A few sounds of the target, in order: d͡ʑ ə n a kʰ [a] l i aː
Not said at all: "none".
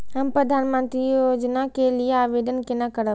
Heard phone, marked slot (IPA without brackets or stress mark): e